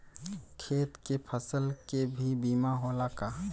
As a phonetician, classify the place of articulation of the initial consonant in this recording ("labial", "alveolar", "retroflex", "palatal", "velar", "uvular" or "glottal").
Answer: velar